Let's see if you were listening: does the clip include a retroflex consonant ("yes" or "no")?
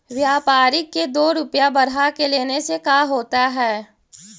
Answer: no